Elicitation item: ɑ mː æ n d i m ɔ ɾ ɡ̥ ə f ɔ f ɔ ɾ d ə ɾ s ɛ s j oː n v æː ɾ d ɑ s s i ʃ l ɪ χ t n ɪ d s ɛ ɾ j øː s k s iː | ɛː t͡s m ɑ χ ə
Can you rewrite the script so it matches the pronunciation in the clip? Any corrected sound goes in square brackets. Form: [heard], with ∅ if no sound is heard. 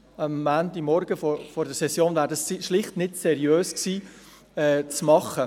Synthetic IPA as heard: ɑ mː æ n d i m ɔ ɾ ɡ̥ ə f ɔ f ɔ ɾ d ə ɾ s ɛ s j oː n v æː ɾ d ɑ s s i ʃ l ɪ χ t n ɪ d s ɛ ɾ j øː s k s iː | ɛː t͡s m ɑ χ ə

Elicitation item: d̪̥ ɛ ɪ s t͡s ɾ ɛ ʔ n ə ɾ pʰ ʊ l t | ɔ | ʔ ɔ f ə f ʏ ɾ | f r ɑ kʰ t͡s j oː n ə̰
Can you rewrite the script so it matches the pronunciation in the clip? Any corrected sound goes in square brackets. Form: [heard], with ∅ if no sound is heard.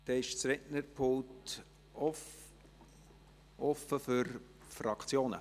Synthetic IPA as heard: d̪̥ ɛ ɪ [ʃ] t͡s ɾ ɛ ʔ n ə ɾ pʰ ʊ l t | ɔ | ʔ ɔ f ə f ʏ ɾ | f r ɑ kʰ t͡s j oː n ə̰

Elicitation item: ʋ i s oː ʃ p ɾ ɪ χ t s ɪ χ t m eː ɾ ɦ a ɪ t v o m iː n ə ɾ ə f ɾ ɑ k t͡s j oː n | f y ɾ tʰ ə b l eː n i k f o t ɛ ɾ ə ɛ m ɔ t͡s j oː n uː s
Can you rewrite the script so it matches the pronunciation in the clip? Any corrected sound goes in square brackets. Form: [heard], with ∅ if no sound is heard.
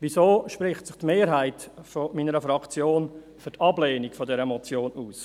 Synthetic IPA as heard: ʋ i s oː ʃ p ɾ ɪ χ t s ɪ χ t m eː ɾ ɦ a ɪ t [f] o m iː n ə ɾ ə f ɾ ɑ k t͡s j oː n | f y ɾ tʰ [ɑ] b l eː n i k f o [d] ɛ ɾ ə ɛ m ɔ t͡s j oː n uː s

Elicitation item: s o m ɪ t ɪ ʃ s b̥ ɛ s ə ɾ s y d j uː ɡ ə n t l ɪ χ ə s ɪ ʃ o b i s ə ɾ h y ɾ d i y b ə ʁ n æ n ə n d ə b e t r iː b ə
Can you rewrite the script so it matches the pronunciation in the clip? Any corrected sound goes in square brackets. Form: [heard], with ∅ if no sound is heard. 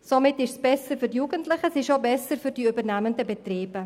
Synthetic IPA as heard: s o m ɪ t ɪ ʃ s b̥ ɛ s ə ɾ [f] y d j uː ɡ ə n t l ɪ χ ə s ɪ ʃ o b [ɛ] s ə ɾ [f] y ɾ d i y b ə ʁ n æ [m] ə n d ə b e t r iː b ə

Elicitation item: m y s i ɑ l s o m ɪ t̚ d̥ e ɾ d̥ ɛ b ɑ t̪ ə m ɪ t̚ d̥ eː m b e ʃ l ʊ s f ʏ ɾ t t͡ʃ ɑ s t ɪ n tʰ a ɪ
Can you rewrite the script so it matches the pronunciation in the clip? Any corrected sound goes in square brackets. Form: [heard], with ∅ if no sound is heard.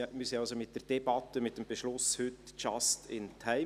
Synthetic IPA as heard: m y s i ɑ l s o m ɪ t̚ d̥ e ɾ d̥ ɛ b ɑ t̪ ə m ɪ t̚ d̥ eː m b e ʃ l ʊ s [h] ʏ [∅] t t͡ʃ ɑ s t ɪ n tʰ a ɪ

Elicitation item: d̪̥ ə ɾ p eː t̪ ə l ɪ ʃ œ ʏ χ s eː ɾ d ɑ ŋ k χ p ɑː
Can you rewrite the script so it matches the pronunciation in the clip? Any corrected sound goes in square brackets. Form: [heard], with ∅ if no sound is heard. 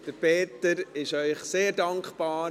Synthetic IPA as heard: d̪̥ ə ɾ p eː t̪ ə [ɾ] ɪ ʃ œ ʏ χ s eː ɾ d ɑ ŋ k χ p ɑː

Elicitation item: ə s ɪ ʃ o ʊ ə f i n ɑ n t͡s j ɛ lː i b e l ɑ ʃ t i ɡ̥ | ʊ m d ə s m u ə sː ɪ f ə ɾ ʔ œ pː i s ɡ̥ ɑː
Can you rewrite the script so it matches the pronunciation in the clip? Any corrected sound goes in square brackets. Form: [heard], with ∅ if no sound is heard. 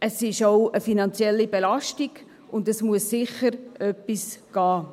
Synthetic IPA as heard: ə s ɪ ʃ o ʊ ə f i n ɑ n t͡s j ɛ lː i b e l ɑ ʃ t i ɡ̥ | ʊ [n] d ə s m u ə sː ɪ [χ] ə ɾ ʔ œ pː i s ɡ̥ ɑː

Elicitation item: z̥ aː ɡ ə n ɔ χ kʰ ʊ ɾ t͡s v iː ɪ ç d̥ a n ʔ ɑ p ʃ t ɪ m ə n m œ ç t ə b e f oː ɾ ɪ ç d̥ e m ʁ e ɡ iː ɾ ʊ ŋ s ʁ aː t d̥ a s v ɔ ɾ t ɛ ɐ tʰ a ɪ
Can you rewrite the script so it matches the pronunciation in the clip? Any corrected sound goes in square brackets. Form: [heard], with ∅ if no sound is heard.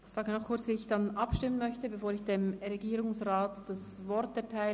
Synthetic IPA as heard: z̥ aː ɡ ə n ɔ χ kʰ ʊ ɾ t͡s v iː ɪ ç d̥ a n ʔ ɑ p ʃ t ɪ m ə n m œ ç t ə b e f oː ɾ ɪ ç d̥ e m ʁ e ɡ iː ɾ ʊ ŋ s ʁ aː t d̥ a s v ɔ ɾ t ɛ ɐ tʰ a ɪ

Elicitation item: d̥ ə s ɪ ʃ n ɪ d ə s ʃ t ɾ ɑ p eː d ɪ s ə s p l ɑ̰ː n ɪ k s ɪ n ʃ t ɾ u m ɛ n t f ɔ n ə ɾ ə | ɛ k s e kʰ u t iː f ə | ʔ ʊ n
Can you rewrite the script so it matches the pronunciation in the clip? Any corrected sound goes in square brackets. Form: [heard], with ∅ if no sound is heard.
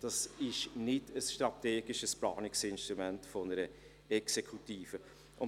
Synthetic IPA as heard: d̥ [ɑ] s ɪ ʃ n ɪ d ə s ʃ t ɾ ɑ [t] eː [ɡ] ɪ [ʃ] ə s p l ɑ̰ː n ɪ k s ɪ n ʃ t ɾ u m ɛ n t f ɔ n ə ɾ ə | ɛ k s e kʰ u t iː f ə | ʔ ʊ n

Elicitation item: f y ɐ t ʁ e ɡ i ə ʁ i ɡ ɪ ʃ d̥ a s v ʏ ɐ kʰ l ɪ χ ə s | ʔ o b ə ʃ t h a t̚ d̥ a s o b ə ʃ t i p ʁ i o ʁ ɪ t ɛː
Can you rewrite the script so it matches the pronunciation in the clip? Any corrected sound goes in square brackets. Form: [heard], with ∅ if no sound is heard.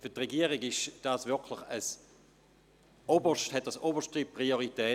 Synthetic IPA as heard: f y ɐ t ʁ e ɡ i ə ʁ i ɡ ɪ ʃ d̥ a s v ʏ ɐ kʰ l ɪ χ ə s | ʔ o b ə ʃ t h [ɛ] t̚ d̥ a s o b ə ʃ t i p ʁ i o ʁ [i] t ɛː

